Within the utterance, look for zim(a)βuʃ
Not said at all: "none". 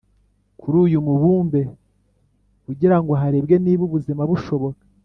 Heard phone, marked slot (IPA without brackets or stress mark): a